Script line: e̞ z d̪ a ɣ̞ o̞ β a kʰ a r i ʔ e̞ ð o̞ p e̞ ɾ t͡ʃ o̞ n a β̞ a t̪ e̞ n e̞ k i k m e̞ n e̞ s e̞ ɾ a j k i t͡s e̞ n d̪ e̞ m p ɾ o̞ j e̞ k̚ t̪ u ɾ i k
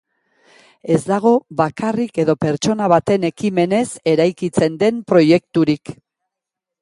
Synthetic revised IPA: e̞ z d̪ a ɣ̞ o̞ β a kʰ a r i k e̞ ð o̞ p e̞ ɾ t͡ʃ o̞ n a β̞ a t̪ e̞ n e̞ k i m e̞ n e̞ s e̞ ɾ a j k i t͡s e̞ n d̪ e̞ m p ɾ o̞ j e̞ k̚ t̪ u ɾ i k